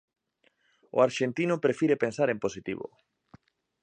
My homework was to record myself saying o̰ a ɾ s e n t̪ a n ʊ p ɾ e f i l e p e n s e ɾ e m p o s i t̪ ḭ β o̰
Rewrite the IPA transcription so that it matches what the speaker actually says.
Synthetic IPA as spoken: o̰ a ɾ ʃ e n t̪ i n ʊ p ɾ e f i ɾ e p e n s a ɾ e m p o s i t̪ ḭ β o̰